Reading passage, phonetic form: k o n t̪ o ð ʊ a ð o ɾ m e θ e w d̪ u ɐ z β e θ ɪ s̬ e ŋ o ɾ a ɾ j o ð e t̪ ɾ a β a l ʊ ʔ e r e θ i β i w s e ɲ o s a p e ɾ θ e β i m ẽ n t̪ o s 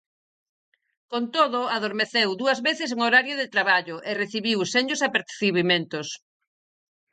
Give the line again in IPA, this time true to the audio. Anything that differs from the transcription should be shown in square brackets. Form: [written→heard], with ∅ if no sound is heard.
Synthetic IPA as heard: k o n t̪ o ð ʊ a ð o ɾ m e θ e w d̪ u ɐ z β e θ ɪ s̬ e ŋ o ɾ a ɾ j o ð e t̪ ɾ a β a [l→ʎ] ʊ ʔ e r e θ i β i w s e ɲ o s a p e ɾ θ [e→i] β i m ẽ n t̪ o s